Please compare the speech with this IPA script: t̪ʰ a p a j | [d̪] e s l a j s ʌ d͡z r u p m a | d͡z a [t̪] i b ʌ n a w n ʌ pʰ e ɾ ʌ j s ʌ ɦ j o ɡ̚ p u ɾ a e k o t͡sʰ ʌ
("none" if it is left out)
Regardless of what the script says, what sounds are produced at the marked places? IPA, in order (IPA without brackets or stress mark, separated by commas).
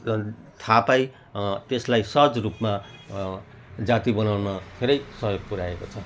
t̪, t̪